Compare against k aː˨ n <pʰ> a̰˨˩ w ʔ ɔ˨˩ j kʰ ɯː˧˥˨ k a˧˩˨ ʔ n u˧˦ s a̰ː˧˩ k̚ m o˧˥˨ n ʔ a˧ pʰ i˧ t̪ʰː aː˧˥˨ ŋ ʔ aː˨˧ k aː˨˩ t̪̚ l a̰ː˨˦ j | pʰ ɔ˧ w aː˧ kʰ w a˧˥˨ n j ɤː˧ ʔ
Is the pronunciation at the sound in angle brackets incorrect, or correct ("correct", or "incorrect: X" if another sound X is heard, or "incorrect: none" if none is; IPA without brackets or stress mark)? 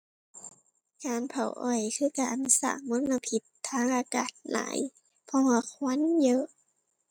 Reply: correct